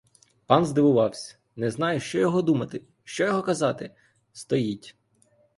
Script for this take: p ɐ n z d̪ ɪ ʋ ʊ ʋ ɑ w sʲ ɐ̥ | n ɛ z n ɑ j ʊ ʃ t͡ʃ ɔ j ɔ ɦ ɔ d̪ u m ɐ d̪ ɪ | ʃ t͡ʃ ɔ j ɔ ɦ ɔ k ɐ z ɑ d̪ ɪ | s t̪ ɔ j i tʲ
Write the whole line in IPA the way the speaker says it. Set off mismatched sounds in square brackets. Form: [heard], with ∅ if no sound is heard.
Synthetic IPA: p [ɑ] n z d̪ ɪ ʋ ʊ ʋ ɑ w sʲ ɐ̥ | n ɛ z n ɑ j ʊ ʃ t͡ʃ ɔ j ɔ ɦ ɔ d̪ u m ɐ [t̪] ɪ | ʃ t͡ʃ ɔ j ɔ ɦ ɔ k ɐ z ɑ [t̪] ɪ | s t̪ ɔ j i tʲ